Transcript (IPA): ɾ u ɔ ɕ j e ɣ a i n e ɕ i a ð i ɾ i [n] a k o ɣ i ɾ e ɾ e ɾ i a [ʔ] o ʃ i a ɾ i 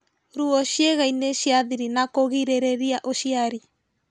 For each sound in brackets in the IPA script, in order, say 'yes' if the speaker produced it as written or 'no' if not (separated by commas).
yes, yes